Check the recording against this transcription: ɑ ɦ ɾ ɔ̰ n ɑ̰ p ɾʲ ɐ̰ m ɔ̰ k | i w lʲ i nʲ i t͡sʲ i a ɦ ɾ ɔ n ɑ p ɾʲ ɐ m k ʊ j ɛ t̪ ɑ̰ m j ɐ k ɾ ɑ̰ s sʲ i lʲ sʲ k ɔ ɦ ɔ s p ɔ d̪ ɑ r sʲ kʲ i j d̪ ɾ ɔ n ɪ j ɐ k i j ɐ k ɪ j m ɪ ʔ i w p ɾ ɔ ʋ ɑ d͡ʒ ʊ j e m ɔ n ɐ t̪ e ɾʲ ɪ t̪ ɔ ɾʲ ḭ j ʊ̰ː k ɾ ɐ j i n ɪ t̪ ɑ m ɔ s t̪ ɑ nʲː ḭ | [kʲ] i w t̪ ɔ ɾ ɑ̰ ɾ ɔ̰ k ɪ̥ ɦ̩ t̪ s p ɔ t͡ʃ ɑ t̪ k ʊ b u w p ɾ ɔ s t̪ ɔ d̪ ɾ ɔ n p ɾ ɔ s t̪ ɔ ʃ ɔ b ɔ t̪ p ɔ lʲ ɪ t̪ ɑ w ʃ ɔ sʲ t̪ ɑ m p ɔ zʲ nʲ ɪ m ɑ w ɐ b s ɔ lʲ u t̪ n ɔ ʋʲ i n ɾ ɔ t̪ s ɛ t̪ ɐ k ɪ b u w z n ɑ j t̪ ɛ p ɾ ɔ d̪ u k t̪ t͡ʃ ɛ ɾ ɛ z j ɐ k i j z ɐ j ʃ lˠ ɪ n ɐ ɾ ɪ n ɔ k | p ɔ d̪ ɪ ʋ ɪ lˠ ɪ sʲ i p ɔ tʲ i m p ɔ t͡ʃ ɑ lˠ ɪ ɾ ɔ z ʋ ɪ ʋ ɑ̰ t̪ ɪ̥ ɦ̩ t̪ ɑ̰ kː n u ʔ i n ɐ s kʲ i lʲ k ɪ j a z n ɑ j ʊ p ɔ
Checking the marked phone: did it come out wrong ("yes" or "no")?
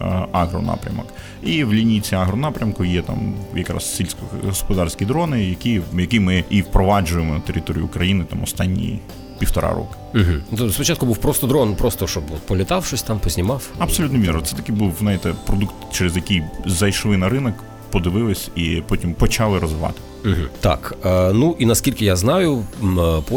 yes